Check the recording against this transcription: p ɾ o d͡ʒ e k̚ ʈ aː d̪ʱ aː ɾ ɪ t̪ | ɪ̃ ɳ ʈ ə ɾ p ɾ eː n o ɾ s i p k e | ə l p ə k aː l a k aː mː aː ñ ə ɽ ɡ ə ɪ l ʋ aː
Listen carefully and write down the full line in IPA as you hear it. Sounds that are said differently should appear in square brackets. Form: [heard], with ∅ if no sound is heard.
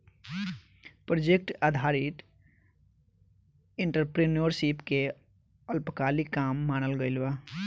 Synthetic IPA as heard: p ɾ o d͡ʒ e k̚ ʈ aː d̪ʱ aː ɾ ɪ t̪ | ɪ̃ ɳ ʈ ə ɾ p ɾ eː n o ɾ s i p k e | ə l p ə k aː l [i] k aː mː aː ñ ə [l] ɡ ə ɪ l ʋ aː